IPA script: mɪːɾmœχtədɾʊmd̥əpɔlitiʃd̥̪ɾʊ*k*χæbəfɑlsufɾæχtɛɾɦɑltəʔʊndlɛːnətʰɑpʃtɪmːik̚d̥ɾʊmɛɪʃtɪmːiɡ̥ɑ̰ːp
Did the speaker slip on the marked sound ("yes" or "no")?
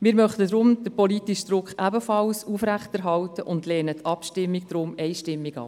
no